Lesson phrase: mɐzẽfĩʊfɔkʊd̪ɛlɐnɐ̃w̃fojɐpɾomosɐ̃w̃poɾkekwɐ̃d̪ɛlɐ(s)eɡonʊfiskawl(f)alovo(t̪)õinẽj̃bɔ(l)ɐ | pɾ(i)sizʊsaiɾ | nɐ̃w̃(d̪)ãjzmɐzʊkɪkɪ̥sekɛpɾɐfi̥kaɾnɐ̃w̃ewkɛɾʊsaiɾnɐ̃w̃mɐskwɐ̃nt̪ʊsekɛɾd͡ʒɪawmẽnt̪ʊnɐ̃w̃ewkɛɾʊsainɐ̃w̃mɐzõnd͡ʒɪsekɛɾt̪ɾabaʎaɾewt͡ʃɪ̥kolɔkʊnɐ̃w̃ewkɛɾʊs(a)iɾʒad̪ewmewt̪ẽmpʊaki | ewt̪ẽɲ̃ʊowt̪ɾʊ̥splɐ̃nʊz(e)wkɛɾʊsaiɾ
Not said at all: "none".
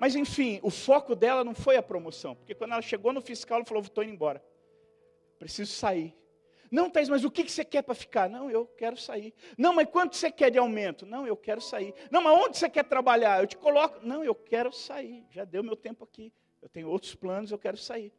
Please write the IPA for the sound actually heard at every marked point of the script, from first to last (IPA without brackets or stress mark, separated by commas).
ʃ, f, t̪, ɾ, e, t̪, a, e